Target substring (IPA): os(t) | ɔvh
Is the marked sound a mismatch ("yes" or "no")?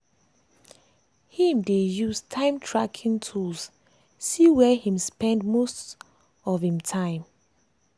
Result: no